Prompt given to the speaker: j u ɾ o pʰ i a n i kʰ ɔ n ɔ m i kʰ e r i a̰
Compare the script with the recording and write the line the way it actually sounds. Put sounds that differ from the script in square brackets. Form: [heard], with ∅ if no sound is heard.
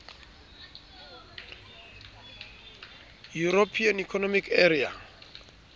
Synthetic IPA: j u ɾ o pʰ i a n i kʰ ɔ n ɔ m i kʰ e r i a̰